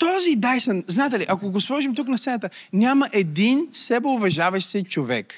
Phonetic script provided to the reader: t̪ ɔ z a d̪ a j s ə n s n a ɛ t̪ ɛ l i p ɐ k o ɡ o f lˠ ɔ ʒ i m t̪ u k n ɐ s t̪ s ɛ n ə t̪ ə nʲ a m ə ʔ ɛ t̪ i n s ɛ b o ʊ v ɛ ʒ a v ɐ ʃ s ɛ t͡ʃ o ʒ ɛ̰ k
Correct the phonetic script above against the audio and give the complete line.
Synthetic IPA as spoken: t̪ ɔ z i d̪ a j s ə n z n a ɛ t̪ ɛ l i ʔ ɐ k o ɡ o s lˠ ɔ ʒ i m t̪ u k n ɐ s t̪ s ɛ n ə t̪ ə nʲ a m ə ʔ ɛ d̪ i n s ɛ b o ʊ v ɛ ʒ a v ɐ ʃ s ɛ t͡ʃ o v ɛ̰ k